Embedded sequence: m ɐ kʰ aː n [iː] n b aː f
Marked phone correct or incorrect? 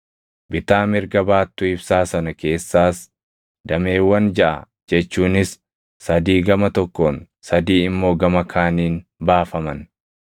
correct